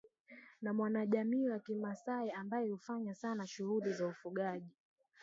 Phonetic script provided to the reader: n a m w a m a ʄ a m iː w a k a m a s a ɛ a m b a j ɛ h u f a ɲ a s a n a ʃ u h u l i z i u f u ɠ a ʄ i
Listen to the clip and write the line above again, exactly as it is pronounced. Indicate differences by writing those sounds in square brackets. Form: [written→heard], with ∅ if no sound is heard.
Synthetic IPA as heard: n a m w a [m→n] a ʄ a m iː w a k [a→i] m a s a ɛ a m b a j ɛ h u f a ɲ a s a n a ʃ u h u l i z [i→a] u f u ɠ a ʄ i